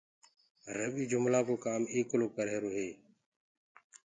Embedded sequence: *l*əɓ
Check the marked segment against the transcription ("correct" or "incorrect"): incorrect